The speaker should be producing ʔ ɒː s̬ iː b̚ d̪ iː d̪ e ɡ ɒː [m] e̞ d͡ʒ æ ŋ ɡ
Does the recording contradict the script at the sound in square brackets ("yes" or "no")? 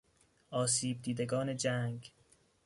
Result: yes